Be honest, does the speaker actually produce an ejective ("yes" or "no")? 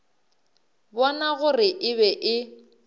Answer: no